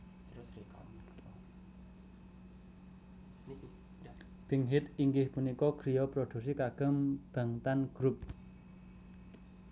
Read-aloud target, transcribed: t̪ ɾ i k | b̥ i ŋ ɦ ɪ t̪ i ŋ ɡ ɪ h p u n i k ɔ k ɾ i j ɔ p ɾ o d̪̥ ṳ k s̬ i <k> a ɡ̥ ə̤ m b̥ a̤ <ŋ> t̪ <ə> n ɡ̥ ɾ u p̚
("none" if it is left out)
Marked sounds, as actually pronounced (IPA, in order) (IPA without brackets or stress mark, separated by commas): k, ŋ, a